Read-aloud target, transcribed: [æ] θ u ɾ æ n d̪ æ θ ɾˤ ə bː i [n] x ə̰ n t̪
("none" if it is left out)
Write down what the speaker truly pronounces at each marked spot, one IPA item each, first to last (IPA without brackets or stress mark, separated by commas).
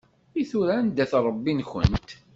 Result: i, n